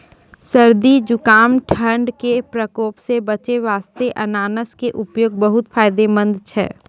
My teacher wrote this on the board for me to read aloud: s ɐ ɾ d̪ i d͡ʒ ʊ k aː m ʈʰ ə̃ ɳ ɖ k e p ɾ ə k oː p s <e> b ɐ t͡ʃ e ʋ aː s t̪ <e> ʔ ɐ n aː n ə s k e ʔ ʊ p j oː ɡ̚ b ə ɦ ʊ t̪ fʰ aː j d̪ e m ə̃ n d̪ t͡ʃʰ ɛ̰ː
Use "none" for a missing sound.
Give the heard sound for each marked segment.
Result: e, e

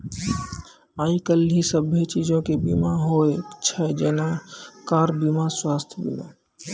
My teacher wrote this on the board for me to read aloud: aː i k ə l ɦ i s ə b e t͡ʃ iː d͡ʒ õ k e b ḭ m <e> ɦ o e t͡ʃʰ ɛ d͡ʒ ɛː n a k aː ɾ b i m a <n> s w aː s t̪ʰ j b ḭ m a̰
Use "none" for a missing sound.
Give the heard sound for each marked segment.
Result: a, none

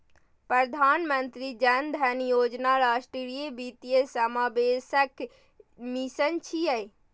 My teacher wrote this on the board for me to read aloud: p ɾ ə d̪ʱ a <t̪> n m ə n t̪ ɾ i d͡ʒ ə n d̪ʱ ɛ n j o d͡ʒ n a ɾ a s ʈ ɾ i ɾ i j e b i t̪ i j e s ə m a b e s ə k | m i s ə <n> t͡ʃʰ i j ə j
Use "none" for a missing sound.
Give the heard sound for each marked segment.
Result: none, n

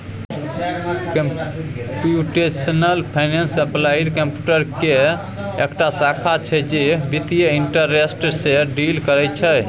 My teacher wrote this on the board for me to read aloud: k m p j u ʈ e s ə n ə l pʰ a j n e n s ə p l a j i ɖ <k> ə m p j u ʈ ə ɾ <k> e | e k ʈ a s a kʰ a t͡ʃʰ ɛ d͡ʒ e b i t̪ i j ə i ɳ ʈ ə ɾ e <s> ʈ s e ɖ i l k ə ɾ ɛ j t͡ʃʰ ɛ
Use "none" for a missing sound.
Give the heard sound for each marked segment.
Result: k, k, s

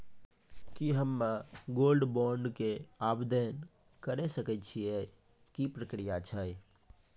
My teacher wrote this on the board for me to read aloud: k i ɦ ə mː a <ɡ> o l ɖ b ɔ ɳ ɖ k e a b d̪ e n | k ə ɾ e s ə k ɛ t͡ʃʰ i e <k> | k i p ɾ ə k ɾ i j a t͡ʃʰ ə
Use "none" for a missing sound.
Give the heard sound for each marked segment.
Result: ɡ, none

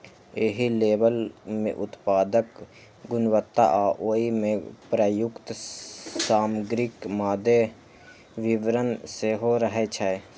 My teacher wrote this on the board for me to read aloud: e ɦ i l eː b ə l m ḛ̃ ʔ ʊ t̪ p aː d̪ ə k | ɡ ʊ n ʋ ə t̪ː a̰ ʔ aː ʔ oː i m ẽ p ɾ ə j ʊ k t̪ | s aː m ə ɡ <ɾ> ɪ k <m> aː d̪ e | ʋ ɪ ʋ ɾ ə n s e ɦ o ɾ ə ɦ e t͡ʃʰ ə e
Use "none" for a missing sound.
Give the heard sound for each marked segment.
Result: ɾ, m

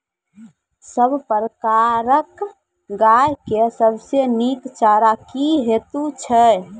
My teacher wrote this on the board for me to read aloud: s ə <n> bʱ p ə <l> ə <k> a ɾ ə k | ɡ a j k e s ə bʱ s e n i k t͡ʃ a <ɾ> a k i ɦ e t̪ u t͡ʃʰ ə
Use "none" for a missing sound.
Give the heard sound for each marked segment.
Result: none, ɾ, k, ɾ

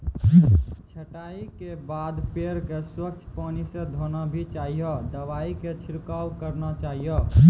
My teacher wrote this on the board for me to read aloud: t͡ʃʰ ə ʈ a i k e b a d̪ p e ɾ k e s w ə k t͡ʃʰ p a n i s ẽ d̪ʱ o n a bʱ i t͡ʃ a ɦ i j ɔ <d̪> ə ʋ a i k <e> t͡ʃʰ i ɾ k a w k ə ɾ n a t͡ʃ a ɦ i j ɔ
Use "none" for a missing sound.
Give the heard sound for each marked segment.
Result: d̪, e

